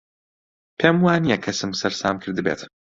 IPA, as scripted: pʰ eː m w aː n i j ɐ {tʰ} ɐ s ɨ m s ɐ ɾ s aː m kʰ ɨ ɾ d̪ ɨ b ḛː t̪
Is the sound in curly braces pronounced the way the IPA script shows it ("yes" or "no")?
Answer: no